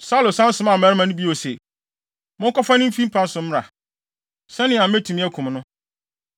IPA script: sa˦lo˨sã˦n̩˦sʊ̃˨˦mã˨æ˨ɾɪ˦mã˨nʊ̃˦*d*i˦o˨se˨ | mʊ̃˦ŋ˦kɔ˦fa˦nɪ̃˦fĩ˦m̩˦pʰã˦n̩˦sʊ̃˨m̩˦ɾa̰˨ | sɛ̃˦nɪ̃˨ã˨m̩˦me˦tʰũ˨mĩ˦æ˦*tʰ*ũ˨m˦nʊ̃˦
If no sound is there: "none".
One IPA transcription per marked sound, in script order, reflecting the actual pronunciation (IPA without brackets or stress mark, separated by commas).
b, kʰ